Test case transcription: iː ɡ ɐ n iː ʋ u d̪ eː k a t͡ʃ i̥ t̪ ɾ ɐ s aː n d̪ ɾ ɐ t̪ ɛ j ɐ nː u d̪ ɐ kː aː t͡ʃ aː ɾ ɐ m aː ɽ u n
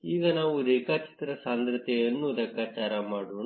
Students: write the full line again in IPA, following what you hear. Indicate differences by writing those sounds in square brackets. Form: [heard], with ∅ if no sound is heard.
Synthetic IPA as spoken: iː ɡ ɐ n [aː] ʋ u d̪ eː k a t͡ʃ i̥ t̪ ɾ ɐ s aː n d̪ ɾ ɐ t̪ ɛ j ɐ nː u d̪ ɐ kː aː t͡ʃ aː ɾ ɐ m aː ɽ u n

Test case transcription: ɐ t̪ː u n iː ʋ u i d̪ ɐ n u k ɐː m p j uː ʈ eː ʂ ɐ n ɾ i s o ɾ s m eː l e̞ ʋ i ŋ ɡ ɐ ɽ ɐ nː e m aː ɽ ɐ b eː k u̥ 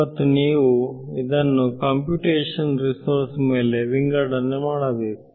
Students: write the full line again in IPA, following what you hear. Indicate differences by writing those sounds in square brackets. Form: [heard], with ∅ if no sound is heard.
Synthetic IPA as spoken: ɐ t̪ː u n iː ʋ u i d̪ ɐ [nː] u k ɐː m p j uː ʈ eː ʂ ɐ n ɾ i s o ɾ s m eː l e̞ ʋ i ŋ ɡ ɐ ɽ ɐ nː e m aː ɽ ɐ b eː k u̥

